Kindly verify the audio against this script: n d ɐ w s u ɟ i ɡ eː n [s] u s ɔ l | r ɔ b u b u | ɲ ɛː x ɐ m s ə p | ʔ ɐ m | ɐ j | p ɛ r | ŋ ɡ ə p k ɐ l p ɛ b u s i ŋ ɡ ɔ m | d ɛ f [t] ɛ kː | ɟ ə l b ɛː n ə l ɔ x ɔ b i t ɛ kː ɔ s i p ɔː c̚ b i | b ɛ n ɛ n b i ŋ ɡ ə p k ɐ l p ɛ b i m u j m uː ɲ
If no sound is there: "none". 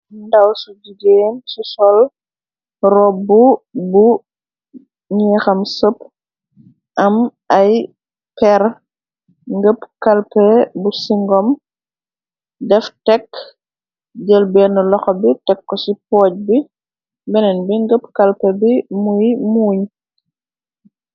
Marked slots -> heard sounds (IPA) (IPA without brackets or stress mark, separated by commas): s, t